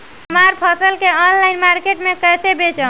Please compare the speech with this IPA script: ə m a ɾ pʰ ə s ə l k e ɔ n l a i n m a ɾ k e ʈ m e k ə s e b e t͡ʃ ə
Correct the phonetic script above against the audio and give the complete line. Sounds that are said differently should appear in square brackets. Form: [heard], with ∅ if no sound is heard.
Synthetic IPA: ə m a ɾ pʰ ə s ə l k e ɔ n l a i n m a ɾ k e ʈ m e k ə s e b e t͡ʃ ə